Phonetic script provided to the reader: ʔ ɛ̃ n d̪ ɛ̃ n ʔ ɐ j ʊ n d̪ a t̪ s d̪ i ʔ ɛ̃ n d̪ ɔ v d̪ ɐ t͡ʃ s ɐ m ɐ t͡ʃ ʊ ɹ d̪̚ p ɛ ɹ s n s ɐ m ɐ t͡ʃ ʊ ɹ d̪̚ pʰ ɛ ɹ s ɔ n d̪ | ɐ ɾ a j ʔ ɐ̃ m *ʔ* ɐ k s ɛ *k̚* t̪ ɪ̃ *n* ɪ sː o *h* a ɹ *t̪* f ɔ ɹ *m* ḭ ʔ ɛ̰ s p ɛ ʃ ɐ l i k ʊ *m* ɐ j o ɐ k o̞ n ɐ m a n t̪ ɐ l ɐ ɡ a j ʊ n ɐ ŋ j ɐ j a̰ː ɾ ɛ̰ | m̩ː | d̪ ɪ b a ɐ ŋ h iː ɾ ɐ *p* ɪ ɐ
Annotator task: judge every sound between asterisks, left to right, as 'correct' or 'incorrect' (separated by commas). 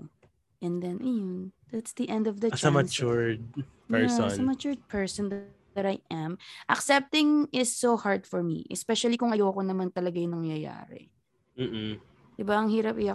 correct, incorrect, incorrect, correct, incorrect, correct, incorrect, correct